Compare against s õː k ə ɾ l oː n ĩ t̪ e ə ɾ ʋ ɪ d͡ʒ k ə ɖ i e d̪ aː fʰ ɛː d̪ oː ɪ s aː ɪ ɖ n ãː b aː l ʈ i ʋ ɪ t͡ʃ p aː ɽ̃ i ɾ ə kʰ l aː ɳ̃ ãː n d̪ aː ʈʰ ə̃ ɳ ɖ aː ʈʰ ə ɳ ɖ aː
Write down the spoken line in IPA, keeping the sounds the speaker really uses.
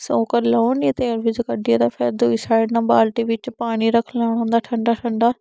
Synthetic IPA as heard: s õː k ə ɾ l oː n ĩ t̪ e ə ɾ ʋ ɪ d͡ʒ k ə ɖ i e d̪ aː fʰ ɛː d̪ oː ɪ s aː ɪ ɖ n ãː b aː l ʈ i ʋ ɪ t͡ʃ p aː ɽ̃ i ɾ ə kʰ l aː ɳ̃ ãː n d̪ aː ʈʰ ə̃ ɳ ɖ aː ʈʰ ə ɳ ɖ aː

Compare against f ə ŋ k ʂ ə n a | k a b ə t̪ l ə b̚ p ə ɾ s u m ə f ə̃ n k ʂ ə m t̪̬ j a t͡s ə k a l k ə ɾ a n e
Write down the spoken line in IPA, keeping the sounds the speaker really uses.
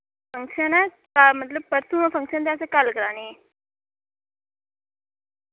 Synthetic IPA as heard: f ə ŋ k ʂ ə n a | k a m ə t̪ l ə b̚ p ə ɾ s u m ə f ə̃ ŋ k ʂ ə n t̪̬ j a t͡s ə k a l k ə ɾ a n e

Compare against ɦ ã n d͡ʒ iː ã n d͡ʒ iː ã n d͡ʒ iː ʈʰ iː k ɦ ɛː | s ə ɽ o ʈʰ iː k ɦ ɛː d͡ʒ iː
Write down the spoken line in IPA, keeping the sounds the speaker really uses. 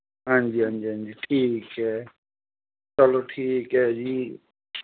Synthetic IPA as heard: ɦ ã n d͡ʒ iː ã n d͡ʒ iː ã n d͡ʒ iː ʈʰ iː k ɦ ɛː | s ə l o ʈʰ iː k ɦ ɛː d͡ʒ iː

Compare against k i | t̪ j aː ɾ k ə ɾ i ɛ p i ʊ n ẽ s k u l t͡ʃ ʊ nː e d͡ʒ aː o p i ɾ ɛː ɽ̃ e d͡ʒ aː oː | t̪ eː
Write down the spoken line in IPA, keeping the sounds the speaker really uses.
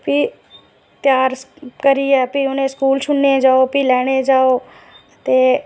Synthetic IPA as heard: p i | t̪ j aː ɾ k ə ɾ i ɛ p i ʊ n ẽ s k uː l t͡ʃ ʊ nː e d͡ʒ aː o p i l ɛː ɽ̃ e d͡ʒ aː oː | t̪ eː

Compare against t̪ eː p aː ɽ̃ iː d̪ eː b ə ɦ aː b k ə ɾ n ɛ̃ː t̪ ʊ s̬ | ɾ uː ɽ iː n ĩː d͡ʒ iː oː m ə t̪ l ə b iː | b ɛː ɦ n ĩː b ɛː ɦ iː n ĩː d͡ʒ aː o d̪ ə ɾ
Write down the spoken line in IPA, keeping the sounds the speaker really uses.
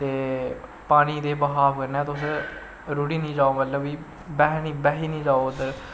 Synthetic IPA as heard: t̪ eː p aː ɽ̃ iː d̪ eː b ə ɦ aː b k ə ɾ n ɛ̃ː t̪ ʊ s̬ | ɾ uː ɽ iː n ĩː d͡ʒ aː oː m ə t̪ l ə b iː | b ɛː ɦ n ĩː b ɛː ɦ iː n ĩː d͡ʒ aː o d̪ ə ɾ

